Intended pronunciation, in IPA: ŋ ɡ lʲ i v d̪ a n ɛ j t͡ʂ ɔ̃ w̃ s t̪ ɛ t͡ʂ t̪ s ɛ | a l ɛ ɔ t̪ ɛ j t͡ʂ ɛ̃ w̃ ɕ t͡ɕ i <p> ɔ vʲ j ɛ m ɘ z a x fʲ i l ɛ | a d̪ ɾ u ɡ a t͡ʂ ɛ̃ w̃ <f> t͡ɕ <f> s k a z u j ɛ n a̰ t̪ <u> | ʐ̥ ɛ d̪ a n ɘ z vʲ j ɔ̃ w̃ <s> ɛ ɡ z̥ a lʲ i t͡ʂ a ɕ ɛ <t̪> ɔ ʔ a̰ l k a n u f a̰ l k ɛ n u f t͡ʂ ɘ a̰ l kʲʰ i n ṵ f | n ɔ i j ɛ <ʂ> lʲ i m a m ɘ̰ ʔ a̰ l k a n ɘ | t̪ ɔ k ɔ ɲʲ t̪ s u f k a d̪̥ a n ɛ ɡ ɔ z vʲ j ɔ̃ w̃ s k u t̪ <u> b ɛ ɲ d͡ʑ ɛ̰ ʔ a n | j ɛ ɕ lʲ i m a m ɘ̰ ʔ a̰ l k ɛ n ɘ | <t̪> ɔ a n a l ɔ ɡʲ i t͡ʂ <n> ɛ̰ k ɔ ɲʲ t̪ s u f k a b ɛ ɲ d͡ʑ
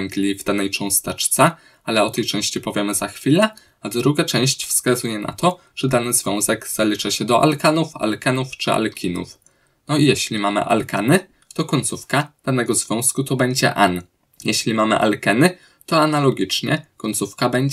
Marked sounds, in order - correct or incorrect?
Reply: correct, incorrect: ɕ, correct, incorrect: ɔ, incorrect: z, incorrect: d̪, incorrect: ɕ, incorrect: ɔ, correct, incorrect: ɲ

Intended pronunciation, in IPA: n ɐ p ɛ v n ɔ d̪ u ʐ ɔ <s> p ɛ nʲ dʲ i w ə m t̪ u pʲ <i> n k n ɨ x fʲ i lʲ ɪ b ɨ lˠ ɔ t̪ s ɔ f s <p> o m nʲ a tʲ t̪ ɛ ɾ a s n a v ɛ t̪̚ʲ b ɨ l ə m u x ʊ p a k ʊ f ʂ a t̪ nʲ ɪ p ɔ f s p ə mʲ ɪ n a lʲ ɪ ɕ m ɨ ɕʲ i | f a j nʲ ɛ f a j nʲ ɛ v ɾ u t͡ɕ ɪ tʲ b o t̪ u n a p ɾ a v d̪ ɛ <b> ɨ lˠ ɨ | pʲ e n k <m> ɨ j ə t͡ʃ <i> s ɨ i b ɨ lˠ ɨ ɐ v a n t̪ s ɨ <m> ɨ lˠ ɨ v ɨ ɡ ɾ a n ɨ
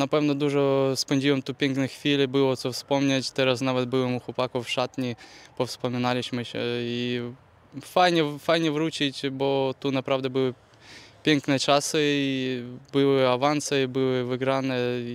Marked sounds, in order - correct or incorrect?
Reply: correct, incorrect: e, correct, correct, incorrect: n, incorrect: a, incorrect: b

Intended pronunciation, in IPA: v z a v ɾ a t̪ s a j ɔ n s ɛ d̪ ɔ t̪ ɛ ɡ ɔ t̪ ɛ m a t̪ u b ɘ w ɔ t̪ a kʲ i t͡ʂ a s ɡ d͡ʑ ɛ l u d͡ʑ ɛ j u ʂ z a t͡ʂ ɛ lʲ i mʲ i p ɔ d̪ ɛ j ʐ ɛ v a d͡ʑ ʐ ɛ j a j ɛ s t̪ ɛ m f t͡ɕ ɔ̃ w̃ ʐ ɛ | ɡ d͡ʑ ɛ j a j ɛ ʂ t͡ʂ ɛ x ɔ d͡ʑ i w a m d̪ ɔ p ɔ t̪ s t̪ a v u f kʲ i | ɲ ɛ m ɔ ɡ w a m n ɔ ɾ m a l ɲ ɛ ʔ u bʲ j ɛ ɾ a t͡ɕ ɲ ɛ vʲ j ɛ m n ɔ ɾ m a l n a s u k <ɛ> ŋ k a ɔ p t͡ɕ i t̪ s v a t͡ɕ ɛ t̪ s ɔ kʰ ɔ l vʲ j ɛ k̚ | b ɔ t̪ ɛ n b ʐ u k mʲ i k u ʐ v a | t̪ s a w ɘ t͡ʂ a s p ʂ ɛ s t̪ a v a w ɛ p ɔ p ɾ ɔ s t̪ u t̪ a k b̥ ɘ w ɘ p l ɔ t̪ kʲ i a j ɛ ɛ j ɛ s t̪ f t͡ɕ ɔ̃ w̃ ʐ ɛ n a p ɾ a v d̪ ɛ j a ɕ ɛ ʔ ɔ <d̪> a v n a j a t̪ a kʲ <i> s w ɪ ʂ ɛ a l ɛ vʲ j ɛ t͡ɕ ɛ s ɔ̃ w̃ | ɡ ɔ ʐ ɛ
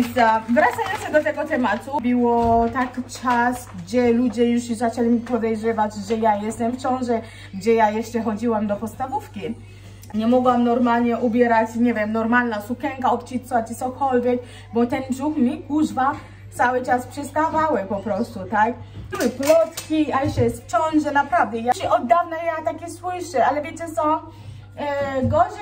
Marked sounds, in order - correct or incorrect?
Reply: correct, incorrect: d̪ː, incorrect: ɛ

